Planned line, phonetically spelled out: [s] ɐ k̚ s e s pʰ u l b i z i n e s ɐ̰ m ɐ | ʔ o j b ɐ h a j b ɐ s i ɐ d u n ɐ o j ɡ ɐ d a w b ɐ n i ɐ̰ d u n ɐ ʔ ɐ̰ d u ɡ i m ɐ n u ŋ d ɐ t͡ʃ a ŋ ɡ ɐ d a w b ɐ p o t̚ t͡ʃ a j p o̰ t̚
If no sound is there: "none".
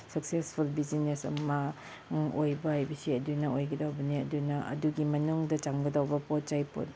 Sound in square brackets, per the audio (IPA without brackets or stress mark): s